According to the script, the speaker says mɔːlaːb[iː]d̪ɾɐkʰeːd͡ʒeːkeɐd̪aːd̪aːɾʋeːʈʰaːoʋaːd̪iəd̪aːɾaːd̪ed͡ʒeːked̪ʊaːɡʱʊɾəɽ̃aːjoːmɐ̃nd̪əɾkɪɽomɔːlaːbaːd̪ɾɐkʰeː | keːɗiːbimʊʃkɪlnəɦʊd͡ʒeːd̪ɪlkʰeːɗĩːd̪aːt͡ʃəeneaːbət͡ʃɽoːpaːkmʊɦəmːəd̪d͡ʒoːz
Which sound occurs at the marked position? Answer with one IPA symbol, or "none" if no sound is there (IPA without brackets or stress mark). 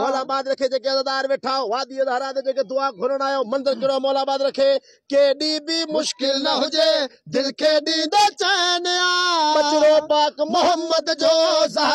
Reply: aː